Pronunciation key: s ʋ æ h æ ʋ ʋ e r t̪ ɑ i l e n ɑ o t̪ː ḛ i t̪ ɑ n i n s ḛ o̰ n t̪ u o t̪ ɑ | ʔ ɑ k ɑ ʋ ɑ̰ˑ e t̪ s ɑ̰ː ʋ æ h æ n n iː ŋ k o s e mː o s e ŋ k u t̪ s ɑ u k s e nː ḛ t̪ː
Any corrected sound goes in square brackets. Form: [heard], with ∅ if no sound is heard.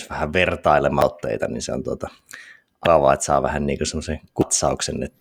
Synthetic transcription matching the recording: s ʋ æ h æ ʋ ʋ e r t̪ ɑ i l e [m] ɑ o t̪ː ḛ i t̪ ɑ n i n s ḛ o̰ n t̪ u o t̪ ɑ | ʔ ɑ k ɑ ʋ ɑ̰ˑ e t̪ s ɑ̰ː ʋ æ h æ n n iː ŋ k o s e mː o s e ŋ k u t̪ s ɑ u k s e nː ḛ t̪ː